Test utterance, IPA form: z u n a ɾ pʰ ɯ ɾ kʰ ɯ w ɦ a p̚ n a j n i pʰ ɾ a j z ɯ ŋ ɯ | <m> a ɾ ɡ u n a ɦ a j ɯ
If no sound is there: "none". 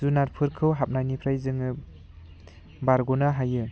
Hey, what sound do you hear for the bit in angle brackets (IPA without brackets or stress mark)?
b